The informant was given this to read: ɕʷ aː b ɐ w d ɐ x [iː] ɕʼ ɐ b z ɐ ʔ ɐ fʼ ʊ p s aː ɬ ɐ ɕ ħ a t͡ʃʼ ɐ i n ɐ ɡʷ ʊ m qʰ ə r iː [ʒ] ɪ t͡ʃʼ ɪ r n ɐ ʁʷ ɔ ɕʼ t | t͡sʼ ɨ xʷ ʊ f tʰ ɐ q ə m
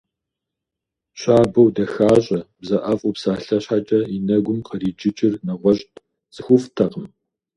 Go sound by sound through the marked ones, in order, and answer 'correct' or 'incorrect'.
incorrect: aː, incorrect: d͡ʒ

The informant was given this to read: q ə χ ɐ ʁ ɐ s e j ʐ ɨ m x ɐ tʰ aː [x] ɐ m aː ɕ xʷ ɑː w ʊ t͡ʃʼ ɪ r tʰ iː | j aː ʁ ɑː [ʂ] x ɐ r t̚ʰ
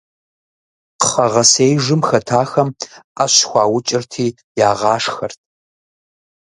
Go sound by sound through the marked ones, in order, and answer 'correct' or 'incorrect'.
correct, correct

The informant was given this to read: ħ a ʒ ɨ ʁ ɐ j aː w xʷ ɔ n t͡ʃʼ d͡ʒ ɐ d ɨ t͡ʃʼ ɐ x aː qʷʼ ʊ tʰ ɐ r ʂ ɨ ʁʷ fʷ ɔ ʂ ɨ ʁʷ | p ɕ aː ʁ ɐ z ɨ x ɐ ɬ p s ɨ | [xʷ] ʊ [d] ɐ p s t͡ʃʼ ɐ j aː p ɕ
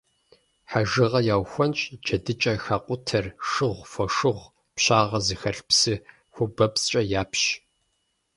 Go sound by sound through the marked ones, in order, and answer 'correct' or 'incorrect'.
correct, incorrect: b

